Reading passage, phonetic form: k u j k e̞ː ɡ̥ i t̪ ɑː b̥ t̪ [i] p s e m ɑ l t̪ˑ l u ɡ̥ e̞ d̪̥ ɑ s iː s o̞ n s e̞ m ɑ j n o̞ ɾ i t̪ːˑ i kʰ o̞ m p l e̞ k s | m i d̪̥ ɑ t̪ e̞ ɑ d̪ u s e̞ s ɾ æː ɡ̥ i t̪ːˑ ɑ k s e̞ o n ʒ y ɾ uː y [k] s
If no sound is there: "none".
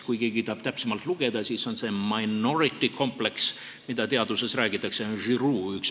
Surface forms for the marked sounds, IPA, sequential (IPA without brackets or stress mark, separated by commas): æ, k